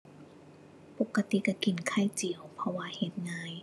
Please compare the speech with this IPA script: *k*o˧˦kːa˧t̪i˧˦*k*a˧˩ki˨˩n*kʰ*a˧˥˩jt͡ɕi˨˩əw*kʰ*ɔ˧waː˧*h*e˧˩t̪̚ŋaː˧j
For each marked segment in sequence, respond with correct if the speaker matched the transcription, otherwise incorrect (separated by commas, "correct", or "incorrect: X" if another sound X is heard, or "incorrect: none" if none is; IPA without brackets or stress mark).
incorrect: p, correct, correct, incorrect: pʰ, correct